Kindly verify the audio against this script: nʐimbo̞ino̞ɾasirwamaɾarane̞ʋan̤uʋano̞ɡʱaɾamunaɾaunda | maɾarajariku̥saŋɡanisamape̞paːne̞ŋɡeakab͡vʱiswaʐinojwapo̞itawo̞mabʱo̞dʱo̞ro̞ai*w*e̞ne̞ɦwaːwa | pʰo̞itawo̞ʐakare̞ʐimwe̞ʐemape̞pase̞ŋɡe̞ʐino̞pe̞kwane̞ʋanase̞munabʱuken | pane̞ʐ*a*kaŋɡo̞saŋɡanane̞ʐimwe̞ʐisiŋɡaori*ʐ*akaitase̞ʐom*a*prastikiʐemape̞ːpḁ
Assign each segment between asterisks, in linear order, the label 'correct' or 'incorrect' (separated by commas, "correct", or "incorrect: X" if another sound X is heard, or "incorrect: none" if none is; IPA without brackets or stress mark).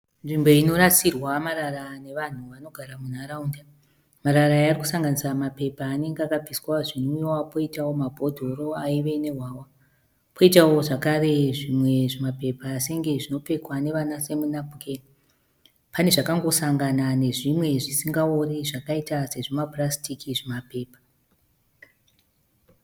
incorrect: ʋ, correct, correct, correct